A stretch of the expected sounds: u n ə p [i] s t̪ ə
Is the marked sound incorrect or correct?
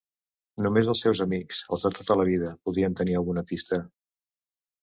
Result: correct